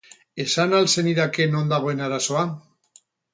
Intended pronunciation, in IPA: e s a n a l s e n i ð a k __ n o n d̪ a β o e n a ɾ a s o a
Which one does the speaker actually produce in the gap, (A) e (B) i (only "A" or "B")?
A